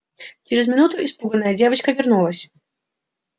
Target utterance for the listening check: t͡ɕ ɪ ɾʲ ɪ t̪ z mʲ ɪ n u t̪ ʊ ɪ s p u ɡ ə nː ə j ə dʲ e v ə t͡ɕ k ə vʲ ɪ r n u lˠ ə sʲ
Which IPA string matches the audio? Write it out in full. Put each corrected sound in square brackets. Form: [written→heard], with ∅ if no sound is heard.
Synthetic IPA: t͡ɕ ɪ ɾʲ ɪ [t̪→∅] z mʲ ɪ n u t̪ ʊ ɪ s p u ɡ ə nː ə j ə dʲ e v ə t͡ɕ k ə vʲ ɪ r n u lˠ ə sʲ

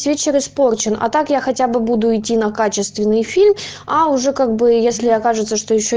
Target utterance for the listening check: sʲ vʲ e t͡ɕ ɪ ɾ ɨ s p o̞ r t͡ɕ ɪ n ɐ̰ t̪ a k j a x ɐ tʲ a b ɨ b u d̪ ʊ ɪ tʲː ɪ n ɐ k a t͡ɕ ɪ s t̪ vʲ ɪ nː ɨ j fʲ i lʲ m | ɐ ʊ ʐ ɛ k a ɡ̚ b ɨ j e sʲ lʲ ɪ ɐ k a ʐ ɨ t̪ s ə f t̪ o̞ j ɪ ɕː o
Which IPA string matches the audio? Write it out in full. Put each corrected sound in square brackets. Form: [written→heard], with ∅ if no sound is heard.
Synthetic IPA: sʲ vʲ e t͡ɕ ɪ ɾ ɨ s p o̞ r t͡ɕ ɪ n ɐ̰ t̪ a k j a x ɐ tʲ a b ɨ b u d̪ ʊ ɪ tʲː [ɪ→i] n ɐ k a t͡ɕ ɪ s t̪ vʲ ɪ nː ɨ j fʲ i lʲ m | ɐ ʊ ʐ ɛ k a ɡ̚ b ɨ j e sʲ lʲ ɪ ɐ k a ʐ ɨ t̪ s ə [f→ʂ] t̪ o̞ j ɪ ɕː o

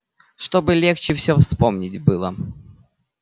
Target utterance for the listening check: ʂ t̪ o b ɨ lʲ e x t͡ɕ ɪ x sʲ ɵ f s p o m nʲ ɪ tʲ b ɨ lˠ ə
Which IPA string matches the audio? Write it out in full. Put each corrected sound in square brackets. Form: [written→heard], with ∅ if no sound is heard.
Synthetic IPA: ʂ t̪ o b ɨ lʲ e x t͡ɕ ɪ [x→f] sʲ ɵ f s p o m nʲ ɪ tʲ b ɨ lˠ ə

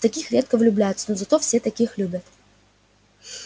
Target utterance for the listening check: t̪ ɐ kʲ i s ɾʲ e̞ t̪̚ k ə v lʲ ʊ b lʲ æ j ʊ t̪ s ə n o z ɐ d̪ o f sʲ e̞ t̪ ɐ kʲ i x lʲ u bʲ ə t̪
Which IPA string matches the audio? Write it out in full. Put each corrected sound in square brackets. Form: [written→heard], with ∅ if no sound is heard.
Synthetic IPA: t̪ ɐ kʲ i [s→x] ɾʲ e̞ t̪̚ k ə v lʲ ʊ b lʲ æ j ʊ t̪ s ə n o z ɐ [d̪→t̪] o f sʲ e̞ t̪ ɐ kʲ i x lʲ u bʲ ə t̪

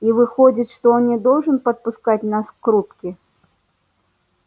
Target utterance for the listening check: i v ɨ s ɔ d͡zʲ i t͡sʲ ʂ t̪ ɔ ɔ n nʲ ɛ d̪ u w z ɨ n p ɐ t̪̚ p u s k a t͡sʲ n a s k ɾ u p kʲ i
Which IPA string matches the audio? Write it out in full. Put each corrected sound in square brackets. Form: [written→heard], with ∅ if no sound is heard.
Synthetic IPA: i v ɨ [s→x] ɔ d͡zʲ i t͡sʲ ʂ t̪ ɔ ɔ n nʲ ɛ d̪ [u→ɔ] w [z→ʐ] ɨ n p ɐ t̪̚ p u s k a t͡sʲ n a s k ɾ u p kʲ i

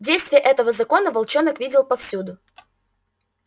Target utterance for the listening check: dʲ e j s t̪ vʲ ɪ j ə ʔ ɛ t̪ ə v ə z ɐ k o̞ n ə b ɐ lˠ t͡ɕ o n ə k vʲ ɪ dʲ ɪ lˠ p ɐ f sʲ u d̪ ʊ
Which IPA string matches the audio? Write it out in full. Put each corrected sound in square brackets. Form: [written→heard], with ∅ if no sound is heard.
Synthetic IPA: dʲ e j s t̪ vʲ ɪ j ə ʔ ɛ t̪ ə v ə z ɐ k o̞ n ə [b→v] ɐ lˠ t͡ɕ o n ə k vʲ [ɪ→i] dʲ ɪ lˠ p ɐ f sʲ u d̪ ʊ

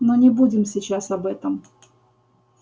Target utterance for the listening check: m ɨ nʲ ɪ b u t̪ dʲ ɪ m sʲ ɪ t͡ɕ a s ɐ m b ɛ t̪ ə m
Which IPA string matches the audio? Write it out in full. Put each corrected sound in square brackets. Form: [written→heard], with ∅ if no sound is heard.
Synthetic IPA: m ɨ nʲ ɪ b u [t̪→∅] dʲ ɪ m sʲ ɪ t͡ɕ a s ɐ [m→∅] b ɛ t̪ ə m

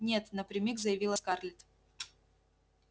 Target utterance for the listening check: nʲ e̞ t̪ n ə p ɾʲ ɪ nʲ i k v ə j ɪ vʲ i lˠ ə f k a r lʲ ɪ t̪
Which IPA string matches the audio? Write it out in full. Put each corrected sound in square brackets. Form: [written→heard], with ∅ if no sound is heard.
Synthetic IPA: nʲ e̞ t̪ n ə p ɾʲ ɪ [nʲ→mʲ] i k [v→z] ə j ɪ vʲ i lˠ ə [f→s] k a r lʲ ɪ t̪

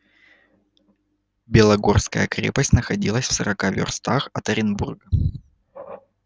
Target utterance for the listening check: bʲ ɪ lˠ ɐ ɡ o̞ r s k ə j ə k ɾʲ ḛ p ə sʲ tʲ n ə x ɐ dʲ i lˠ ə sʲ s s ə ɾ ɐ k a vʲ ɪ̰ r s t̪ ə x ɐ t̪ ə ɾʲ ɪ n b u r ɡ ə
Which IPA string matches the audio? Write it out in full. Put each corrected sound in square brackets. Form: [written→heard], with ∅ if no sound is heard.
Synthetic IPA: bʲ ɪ lˠ ɐ ɡ o̞ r s k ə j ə k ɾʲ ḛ p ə sʲ tʲ n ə x ɐ dʲ i lˠ ə sʲ [s→f] s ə ɾ ɐ k a vʲ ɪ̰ r s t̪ [ə→a] x ɐ t̪ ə ɾʲ ɪ n b u r ɡ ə

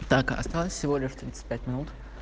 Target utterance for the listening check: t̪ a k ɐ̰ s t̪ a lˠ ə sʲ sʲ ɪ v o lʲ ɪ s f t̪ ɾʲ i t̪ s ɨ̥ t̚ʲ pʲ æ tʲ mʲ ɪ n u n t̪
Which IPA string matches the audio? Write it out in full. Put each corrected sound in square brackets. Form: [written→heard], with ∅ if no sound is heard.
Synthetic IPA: t̪ a k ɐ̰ s t̪ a lˠ ə sʲ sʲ ɪ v o lʲ ɪ [s→ʂ] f t̪ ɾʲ i t̪ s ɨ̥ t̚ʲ pʲ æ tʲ mʲ ɪ n u [n→∅] t̪

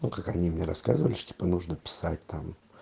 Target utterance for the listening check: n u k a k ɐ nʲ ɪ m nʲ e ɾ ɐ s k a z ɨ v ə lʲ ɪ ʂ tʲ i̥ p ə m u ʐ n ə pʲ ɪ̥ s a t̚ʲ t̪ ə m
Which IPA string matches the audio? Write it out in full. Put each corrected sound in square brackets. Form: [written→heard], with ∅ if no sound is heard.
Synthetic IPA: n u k a k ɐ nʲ [ɪ→i] m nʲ e ɾ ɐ s k a z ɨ v ə lʲ ɪ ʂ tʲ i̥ p ə [m→n] u ʐ n ə pʲ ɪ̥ s a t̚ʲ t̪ [ə→a] m

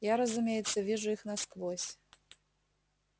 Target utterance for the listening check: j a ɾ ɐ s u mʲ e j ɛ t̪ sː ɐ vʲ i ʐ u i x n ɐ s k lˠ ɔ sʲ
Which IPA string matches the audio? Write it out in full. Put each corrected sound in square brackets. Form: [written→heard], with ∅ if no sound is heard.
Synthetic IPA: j a ɾ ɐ [s→z] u mʲ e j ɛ t̪ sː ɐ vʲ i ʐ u i x n ɐ s k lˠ ɔ sʲ

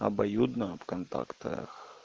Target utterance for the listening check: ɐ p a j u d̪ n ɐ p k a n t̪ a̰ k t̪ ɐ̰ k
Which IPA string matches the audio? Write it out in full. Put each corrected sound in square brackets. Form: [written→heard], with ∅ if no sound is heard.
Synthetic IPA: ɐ [p→b] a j u d̪ n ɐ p k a n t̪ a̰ k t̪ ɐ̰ [k→x]

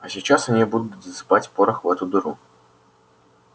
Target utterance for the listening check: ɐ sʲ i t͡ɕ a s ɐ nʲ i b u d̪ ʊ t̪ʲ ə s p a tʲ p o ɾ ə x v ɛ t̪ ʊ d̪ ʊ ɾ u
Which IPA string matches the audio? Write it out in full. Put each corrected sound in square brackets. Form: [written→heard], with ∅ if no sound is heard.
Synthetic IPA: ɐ sʲ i t͡ɕ a s ɐ nʲ i b u d̪ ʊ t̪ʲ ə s p a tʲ p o ɾ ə x v ɛ t̪ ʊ d̪ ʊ ɾ u

